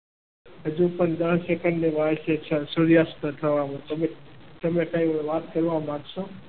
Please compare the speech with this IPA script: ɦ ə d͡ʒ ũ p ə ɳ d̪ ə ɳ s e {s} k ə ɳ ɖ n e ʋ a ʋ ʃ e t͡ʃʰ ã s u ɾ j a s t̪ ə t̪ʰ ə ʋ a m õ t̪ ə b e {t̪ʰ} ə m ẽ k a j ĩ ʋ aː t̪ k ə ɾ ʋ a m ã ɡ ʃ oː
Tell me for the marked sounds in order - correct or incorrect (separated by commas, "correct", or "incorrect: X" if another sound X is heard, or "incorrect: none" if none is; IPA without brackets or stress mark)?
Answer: incorrect: none, incorrect: t̪